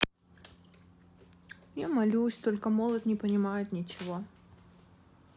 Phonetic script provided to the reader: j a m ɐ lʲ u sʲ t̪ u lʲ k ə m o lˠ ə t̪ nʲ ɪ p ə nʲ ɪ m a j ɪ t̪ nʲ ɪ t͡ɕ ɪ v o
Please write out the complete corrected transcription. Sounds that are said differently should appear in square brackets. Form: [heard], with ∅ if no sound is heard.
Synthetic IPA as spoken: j a m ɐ lʲ u sʲ t̪ [o] lʲ k ə m o lˠ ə t̪ nʲ ɪ p ə nʲ ɪ m a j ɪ t̪ nʲ ɪ t͡ɕ ɪ v o